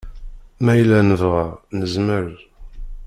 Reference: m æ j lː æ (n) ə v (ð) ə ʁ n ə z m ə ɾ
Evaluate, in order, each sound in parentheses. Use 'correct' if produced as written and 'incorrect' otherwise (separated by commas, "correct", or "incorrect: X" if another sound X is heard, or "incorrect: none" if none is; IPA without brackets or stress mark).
correct, incorrect: ʁ